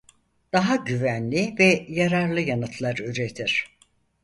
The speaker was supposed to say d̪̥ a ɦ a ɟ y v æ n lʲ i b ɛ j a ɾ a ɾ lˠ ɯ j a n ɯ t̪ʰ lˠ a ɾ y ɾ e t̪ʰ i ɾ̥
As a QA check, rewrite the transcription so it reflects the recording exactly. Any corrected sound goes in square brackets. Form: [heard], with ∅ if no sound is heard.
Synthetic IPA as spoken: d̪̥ a ɦ a ɟ y v æ n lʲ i [v] ɛ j a ɾ a ɾ lˠ ɯ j a n ɯ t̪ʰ lˠ a ɾ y ɾ e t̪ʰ i ɾ̥